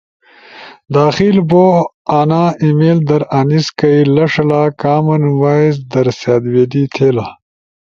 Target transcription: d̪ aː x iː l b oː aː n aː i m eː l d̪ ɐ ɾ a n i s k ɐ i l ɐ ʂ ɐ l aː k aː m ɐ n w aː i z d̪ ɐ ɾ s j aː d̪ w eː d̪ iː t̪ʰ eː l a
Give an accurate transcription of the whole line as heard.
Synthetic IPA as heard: d̪ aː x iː l b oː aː n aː i m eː l d̪ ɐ ɾ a n i s k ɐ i l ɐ ʂ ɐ l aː k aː m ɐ n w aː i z d̪ ɐ ɾ s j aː d̪ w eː d̪ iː t̪ʰ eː l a